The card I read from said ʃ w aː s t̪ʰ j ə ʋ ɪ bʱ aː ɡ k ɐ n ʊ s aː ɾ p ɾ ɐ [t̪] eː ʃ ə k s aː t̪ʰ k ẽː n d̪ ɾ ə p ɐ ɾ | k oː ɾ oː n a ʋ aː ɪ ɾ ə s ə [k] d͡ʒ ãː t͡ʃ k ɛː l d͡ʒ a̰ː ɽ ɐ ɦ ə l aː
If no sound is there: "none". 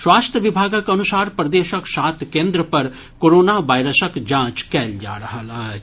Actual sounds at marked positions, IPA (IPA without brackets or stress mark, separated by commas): d̪, k